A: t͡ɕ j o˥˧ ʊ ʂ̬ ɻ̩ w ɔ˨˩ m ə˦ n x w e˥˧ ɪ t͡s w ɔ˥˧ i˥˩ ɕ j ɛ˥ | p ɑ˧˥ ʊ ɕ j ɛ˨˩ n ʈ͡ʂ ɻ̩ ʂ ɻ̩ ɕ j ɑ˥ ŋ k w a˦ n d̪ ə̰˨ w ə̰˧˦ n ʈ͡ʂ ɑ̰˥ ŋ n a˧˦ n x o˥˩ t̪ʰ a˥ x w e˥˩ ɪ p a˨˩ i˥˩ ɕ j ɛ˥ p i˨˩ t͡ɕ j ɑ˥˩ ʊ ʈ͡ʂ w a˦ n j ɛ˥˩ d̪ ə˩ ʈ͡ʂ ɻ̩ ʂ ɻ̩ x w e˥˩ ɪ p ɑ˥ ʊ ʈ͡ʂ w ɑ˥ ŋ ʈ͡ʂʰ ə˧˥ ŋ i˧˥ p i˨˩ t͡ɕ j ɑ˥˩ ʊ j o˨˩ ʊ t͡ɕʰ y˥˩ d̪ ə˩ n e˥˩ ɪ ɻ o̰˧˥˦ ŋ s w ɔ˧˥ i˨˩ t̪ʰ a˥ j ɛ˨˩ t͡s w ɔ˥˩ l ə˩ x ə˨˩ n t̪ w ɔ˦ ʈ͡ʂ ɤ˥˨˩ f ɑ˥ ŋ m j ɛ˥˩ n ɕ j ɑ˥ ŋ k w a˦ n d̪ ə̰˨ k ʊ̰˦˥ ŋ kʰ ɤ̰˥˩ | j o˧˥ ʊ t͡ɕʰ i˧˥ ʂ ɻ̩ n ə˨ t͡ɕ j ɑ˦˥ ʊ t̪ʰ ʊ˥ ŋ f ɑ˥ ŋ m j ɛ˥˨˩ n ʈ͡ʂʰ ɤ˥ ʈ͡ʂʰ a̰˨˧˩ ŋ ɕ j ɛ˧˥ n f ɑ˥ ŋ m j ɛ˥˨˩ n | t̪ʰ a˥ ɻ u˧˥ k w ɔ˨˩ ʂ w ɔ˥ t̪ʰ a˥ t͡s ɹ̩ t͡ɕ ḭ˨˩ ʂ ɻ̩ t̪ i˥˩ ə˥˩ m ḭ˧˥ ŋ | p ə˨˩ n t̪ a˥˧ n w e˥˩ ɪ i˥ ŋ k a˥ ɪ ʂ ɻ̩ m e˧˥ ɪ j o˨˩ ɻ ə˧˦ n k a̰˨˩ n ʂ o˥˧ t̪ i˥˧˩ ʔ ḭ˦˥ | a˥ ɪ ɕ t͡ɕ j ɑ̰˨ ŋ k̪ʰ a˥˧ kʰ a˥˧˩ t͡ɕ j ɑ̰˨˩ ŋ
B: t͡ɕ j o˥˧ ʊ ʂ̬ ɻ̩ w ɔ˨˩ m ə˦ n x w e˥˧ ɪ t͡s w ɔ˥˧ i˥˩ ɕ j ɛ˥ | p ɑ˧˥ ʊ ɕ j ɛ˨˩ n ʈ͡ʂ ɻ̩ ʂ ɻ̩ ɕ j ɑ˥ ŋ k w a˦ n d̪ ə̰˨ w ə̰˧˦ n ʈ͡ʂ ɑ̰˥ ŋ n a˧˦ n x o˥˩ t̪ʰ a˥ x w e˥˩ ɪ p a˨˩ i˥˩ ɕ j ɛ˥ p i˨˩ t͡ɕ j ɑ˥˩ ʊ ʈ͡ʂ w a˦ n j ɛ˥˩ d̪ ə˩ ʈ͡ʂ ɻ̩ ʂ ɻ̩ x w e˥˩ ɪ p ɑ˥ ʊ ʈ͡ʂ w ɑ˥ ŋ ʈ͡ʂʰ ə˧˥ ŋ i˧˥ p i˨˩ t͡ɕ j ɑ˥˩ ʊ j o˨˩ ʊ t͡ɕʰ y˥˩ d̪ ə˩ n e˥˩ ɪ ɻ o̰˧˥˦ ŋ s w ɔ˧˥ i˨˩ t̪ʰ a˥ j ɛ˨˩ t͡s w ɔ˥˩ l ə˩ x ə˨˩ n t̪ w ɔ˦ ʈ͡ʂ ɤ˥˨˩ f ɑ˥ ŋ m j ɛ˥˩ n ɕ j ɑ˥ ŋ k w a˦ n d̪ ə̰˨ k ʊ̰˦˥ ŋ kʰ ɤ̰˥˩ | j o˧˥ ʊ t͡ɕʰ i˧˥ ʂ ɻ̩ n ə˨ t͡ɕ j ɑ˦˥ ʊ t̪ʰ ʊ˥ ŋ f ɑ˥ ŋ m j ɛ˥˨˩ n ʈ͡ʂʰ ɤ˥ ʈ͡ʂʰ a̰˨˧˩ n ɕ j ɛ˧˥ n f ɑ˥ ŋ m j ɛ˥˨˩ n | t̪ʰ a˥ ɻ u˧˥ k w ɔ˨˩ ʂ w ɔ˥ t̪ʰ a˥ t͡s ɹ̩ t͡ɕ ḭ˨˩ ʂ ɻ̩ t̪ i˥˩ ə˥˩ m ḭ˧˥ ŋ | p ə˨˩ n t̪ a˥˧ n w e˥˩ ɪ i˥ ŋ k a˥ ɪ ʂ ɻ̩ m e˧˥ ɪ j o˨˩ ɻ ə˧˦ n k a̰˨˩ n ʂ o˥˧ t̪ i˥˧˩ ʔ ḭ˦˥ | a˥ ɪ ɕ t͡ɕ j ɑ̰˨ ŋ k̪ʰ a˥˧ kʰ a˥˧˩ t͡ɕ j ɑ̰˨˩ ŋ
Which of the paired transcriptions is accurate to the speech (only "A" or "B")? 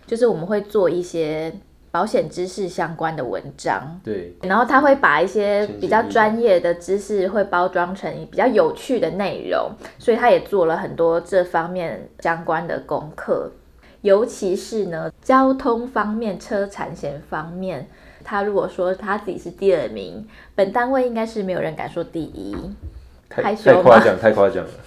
B